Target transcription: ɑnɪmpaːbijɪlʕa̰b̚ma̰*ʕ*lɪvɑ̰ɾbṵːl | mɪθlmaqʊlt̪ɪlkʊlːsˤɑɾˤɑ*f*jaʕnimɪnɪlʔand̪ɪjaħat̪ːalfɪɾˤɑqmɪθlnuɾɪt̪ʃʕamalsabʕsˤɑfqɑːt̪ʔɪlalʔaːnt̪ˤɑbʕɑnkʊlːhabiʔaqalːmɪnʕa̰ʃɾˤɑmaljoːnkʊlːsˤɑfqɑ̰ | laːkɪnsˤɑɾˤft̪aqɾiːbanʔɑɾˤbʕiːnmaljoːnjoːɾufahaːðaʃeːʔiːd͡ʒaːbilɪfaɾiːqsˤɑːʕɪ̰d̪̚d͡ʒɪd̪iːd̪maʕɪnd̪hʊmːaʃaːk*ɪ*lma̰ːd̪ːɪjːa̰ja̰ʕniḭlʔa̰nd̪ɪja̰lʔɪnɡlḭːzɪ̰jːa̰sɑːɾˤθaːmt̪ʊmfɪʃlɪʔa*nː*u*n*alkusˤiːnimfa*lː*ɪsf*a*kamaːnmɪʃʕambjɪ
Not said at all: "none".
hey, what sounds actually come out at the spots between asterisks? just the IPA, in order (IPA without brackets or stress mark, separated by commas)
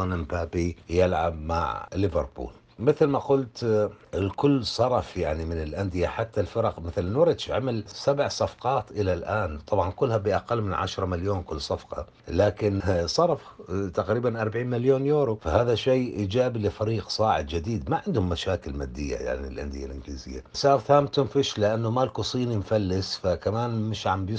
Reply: ʕ, f, ɪ, nː, m, lː, a